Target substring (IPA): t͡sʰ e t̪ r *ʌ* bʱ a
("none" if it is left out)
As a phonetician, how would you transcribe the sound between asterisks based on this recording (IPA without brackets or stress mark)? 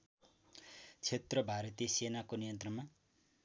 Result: ʌ